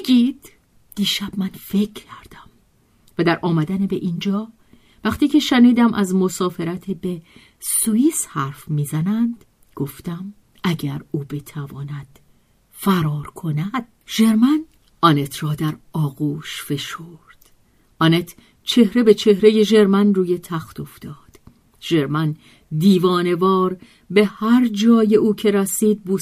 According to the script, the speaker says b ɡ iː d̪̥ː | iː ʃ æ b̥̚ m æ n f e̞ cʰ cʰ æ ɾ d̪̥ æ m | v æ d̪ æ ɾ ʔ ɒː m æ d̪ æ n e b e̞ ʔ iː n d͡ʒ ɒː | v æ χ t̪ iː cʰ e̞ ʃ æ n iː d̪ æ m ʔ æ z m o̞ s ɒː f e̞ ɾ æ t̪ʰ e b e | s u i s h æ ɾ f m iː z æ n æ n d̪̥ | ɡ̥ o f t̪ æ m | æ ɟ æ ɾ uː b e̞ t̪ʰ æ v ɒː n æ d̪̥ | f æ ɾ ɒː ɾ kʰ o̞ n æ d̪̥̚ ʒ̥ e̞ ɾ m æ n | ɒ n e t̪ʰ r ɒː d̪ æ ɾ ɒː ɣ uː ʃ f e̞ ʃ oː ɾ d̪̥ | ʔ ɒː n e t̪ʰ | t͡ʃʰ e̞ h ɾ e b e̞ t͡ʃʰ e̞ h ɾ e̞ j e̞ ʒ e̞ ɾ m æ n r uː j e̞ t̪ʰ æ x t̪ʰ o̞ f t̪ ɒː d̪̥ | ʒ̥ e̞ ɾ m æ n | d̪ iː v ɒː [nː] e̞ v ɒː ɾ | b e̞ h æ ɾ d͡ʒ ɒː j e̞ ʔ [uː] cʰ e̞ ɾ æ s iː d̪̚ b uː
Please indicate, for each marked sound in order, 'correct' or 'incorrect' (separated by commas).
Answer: incorrect, correct